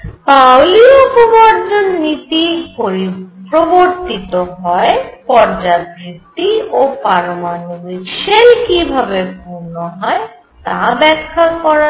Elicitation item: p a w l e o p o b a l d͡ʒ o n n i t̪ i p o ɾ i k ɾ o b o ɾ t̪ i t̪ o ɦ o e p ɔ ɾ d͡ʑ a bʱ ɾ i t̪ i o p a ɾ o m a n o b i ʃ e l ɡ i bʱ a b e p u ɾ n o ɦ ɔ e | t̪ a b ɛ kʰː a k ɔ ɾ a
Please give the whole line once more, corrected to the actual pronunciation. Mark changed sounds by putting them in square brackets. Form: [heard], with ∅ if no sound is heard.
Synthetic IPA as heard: p a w l [i] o p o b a [ɾ] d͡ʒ o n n i t̪ i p o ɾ i [p] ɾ o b o ɾ t̪ i t̪ o ɦ [ɔ] e p ɔ ɾ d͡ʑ a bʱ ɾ i t̪ i o p a ɾ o m a n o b i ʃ e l [k] i bʱ a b e p u ɾ n o ɦ ɔ e | t̪ a b ɛ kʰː a k ɔ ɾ a